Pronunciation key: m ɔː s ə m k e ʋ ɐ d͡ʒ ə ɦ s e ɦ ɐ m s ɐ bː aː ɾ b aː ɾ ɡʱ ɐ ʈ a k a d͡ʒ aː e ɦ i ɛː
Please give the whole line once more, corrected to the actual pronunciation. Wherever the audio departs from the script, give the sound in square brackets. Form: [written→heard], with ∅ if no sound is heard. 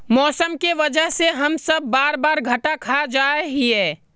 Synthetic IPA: m ɔː s ə m k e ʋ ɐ d͡ʒ ə ɦ s e ɦ ɐ m s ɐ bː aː ɾ b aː ɾ ɡʱ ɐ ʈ a [k→kʰ] a d͡ʒ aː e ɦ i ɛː